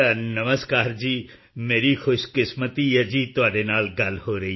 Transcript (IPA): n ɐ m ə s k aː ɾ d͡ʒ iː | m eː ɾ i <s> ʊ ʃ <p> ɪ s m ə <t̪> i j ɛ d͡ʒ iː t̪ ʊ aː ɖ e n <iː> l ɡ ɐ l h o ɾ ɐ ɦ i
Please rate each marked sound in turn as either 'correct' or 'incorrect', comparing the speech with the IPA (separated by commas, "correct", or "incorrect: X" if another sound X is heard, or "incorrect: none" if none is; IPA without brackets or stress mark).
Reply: incorrect: x, incorrect: k, correct, incorrect: aː